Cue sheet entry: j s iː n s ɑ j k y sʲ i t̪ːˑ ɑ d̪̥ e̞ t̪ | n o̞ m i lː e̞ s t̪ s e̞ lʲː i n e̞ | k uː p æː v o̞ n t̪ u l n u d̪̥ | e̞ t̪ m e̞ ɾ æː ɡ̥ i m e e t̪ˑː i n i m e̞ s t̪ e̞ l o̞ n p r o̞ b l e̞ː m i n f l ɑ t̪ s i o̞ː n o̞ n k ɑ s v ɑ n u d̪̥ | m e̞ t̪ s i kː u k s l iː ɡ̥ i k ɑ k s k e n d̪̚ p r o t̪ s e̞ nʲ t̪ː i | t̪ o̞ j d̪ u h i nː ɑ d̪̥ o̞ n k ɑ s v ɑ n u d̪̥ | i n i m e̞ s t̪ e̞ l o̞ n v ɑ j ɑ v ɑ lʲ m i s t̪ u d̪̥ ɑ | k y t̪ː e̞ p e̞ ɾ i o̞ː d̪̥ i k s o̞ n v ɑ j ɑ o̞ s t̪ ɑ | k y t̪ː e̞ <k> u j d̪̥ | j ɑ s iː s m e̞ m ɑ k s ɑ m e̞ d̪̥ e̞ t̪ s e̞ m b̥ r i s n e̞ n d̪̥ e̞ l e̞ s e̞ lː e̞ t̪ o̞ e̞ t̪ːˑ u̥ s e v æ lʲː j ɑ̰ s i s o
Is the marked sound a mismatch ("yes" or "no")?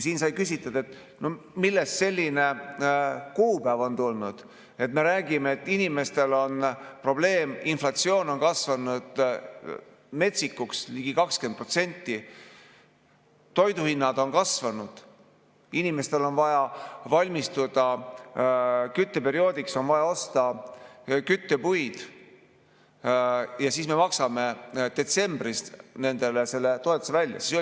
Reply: yes